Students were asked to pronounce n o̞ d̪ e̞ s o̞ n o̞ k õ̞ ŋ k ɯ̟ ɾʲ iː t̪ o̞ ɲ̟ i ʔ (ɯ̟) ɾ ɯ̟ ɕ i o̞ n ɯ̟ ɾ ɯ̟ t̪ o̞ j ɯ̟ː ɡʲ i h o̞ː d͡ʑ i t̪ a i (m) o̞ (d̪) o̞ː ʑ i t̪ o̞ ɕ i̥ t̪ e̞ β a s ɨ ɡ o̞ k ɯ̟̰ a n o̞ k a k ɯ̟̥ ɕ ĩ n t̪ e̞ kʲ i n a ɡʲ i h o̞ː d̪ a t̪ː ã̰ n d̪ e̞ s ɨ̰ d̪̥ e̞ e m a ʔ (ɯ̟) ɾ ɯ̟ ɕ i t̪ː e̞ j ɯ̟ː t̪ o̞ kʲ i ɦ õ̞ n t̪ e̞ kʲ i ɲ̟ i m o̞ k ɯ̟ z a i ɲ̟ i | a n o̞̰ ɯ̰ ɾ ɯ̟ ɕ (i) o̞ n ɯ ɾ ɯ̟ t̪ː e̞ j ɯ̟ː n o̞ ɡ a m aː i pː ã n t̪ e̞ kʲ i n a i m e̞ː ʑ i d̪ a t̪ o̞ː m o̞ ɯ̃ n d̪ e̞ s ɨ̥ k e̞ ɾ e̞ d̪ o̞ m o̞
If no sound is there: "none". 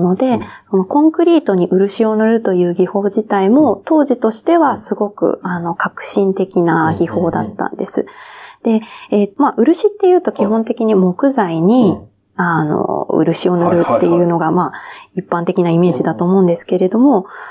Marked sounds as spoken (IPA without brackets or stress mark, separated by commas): ɯ̟, m, t̪, ɯ̟, i